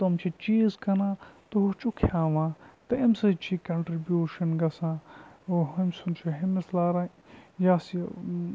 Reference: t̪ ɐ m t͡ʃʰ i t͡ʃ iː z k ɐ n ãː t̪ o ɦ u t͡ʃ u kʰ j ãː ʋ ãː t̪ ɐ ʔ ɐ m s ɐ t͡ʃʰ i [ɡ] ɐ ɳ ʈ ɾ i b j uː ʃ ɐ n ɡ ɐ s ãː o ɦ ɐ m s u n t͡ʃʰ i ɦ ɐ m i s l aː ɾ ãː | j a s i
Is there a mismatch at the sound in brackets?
yes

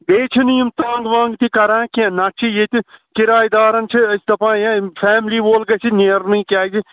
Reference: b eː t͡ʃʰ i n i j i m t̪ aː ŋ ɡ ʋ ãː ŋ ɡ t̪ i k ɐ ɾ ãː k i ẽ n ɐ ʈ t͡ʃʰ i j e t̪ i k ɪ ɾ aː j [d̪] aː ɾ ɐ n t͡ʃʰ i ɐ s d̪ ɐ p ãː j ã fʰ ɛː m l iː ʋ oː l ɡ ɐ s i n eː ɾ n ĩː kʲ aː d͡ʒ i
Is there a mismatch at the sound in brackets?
no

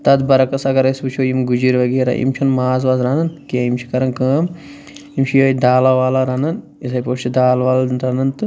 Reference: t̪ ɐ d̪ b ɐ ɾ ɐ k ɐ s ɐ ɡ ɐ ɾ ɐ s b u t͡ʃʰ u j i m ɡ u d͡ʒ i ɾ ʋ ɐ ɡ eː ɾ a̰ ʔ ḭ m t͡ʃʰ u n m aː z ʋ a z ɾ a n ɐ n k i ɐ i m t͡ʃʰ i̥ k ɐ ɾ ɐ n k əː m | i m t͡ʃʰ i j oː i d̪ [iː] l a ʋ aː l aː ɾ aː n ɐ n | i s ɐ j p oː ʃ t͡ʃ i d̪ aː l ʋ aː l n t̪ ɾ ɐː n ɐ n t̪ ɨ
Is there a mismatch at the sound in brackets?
yes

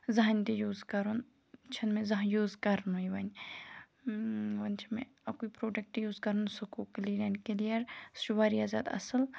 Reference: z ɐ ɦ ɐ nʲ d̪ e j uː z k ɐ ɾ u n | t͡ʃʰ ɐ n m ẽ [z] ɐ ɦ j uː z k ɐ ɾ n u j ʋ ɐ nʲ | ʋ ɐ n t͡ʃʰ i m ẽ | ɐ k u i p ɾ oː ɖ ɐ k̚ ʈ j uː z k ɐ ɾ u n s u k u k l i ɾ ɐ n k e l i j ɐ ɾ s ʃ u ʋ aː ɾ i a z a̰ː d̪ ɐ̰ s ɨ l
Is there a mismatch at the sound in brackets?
no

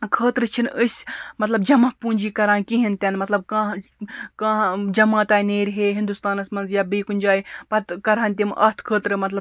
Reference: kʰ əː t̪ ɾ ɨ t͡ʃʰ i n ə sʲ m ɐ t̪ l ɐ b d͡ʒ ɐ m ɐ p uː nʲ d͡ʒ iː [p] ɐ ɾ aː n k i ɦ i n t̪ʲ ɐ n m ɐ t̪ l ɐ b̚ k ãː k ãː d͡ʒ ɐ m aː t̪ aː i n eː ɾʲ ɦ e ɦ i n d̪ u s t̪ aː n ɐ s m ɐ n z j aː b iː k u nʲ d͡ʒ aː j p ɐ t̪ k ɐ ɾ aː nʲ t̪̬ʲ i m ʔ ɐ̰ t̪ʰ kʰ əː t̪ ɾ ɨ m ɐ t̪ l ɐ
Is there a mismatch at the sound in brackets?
yes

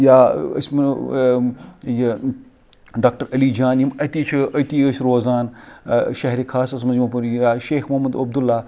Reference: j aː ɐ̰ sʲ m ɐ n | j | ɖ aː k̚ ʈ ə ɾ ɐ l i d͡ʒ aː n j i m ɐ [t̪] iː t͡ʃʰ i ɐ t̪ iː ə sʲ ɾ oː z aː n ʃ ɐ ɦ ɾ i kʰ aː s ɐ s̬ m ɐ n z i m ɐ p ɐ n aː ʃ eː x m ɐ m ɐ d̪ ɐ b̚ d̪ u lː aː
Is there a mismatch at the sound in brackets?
no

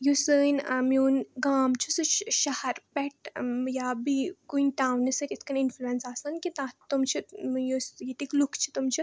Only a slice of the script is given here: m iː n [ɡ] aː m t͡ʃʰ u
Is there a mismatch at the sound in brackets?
no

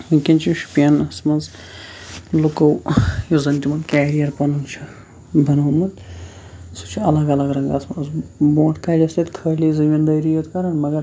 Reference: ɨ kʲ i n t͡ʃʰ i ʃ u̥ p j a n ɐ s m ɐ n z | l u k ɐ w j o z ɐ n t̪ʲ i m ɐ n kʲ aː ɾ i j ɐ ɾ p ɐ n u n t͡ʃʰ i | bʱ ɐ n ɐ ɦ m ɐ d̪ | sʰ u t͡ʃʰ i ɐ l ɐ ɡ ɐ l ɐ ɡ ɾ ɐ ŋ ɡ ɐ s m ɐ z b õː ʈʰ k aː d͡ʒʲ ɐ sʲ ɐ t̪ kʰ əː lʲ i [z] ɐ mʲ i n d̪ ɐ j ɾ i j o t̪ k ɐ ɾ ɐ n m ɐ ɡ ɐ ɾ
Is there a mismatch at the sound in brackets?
no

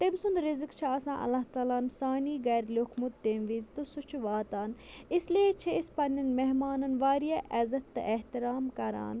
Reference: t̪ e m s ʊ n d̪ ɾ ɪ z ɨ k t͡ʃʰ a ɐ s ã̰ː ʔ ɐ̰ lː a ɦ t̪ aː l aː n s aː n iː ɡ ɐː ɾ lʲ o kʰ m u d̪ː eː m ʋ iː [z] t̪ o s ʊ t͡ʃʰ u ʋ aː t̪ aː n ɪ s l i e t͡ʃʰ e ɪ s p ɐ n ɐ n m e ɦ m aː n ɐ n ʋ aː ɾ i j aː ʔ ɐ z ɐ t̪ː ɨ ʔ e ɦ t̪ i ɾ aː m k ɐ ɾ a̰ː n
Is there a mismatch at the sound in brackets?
no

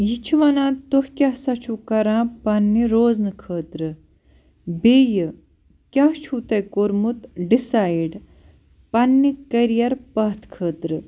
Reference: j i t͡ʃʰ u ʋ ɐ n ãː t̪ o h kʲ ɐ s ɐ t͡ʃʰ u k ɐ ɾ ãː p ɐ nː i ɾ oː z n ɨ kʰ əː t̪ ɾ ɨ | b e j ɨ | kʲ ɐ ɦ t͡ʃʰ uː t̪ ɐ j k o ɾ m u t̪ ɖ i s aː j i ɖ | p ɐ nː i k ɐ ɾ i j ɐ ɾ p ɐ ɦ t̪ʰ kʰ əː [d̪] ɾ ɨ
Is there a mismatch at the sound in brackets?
yes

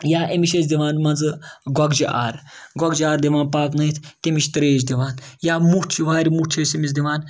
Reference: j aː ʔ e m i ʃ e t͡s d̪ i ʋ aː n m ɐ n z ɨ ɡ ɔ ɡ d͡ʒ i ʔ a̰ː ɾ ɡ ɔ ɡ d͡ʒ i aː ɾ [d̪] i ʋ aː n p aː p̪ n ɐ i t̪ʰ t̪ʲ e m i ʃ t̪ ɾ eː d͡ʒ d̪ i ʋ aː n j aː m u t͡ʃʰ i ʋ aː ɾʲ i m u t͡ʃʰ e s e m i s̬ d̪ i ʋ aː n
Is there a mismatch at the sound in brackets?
no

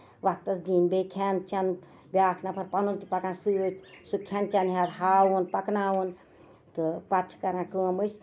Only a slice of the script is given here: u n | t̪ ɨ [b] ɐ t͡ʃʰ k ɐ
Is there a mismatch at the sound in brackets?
yes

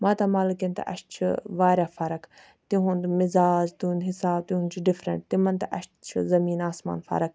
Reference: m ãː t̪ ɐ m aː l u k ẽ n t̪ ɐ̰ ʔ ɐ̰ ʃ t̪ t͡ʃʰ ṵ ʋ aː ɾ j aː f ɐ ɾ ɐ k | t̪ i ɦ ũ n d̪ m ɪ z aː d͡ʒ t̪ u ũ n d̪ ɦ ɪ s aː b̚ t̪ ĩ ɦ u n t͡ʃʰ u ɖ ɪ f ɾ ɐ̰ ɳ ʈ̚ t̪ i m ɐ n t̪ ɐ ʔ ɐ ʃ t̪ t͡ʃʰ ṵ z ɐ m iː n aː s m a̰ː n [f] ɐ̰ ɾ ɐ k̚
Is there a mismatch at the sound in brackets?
no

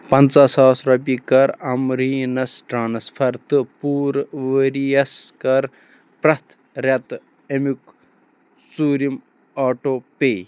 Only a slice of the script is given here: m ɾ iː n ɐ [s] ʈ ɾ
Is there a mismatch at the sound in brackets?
no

